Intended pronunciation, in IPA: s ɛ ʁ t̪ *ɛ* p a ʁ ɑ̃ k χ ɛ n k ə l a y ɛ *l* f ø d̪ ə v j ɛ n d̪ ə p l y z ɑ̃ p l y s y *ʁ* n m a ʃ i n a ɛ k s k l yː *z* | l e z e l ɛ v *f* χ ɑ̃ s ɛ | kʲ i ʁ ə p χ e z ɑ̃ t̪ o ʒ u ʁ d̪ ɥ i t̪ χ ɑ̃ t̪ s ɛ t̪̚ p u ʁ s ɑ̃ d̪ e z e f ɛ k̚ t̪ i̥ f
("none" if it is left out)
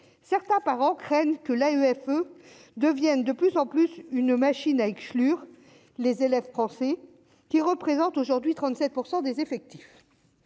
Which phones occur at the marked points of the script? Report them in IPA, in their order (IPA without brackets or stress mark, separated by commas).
ɛ̃, none, none, ʁ, f